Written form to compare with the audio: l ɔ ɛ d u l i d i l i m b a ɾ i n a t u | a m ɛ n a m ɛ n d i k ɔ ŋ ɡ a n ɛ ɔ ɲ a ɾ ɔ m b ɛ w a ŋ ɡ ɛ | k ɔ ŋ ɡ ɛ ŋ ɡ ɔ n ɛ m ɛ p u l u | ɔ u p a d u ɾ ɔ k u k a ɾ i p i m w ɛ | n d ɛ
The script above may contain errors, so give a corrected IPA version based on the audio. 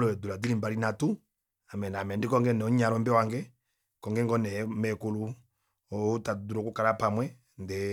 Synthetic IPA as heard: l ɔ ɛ d u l a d i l i m b a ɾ i n a t u | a m ɛ n a m ɛ n d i k ɔ ŋ ɡ ɛ n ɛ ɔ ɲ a ɾ ɔ m b ɛ w a ŋ ɡ ɛ | k ɔ ŋ ɡ ɛ ŋ ɡ ɔ n ɛ m ɛ k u l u | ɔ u t a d u ɾ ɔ k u k a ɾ a p a m w ɛ | n d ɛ